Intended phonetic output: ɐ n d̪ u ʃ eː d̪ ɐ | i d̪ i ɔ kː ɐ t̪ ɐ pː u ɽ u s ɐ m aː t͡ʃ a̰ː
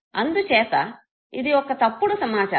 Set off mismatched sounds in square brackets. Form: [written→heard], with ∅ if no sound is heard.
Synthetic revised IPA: ɐ n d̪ u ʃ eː [d̪→t̪] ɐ | i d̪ i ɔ kː ɐ t̪ ɐ pː u ɽ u s ɐ m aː t͡ʃ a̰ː